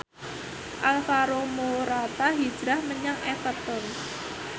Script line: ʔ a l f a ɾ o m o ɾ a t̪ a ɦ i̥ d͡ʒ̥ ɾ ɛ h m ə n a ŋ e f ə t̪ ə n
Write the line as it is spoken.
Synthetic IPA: ʔ a l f a ɾ o m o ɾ a t̪ a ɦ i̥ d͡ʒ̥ ɾ a h m ə ɲ a ŋ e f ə t̪ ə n

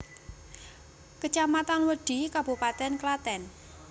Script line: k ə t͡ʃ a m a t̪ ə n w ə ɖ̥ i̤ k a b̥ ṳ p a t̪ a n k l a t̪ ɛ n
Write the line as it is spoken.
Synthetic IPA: k ə t͡ʃ a m a t̪ a n w ə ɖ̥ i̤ k a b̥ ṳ p a t̪ ɛ n k l a t̪ ɛ n

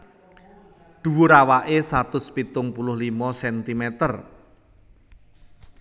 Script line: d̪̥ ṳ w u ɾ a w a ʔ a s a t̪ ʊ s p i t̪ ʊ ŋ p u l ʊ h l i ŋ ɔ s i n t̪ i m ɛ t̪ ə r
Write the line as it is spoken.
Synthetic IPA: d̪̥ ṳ w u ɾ a w a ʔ e s a t̪ ʊ s p i t̪ ʊ ŋ p u l ʊ h l i m ɔ s ɛ n t̪ i m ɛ t̪ ə r

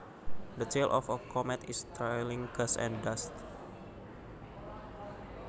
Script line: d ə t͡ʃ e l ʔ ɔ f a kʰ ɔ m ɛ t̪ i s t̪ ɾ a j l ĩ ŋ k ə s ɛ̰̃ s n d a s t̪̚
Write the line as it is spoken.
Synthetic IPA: d ə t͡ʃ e l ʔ ɔ f ə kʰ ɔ m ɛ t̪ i s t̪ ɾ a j l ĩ ŋ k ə s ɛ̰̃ n d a s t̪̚

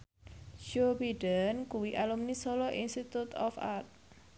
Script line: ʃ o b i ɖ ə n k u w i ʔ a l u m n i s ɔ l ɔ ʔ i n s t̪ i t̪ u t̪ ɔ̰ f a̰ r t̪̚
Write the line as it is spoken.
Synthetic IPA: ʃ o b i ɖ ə n k u w i ʔ a l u m n i s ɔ l ɔ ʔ i n s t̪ i t̪ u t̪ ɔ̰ f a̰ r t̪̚

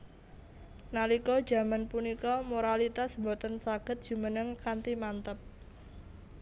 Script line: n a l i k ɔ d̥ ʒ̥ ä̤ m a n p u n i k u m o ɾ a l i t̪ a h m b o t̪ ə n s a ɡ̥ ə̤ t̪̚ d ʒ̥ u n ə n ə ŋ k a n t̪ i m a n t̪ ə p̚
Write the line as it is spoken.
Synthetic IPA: n a l i k ɔ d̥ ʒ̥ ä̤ m a n p u n i k ɔ m o ɾ a l i t̪ a s m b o t̪ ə n s a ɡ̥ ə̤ t̪̚ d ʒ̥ u m ə n ə ŋ k a n t̪ i m a n t̪ ə p̚

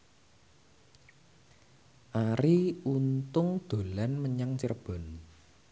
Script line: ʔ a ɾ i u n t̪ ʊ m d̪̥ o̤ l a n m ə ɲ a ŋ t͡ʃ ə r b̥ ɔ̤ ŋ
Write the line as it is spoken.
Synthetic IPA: ʔ a ɾ i u n t̪ ʊ ŋ d̪̥ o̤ l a n m ə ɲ a ŋ t͡ʃ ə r b̥ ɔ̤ n

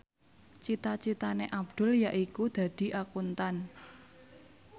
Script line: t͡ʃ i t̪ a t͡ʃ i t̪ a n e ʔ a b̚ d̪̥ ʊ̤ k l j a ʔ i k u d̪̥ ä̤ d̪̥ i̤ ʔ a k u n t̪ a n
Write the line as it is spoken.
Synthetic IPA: t͡ʃ i t̪ a t͡ʃ i t̪ a n e ʔ a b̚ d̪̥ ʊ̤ l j a ʔ i k u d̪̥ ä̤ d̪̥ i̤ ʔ a k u n t̪ a n

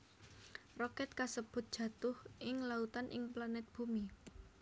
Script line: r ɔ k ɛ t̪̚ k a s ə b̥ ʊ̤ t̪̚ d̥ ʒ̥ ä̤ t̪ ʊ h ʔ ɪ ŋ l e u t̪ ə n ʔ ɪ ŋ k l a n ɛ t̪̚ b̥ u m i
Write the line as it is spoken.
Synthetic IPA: r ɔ k ɛ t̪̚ k a s ə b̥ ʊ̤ t̪̚ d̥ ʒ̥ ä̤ t̪ ʊ h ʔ ɪ ŋ l a u t̪ a n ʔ ɪ ŋ p l a n ɛ t̪̚ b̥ u m i

